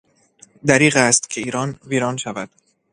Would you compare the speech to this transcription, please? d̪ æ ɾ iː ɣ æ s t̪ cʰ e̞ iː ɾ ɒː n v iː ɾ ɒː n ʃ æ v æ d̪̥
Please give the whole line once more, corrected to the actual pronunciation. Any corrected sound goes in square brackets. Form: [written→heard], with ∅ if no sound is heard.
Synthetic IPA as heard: d̪ æ ɾ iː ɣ æ s t̪ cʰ e̞ iː ɾ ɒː n v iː ɾ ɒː n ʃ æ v æ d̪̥